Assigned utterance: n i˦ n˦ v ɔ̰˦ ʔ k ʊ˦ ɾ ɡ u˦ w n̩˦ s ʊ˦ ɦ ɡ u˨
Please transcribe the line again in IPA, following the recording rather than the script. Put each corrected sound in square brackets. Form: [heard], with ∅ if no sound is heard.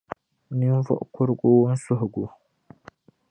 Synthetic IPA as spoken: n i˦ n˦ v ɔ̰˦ ʔ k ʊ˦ ɾ ɡ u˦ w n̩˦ s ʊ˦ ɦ ɡ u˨